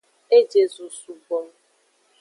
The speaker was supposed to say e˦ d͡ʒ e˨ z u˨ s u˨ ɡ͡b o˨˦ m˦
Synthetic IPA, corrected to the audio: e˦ d͡ʒ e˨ z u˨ s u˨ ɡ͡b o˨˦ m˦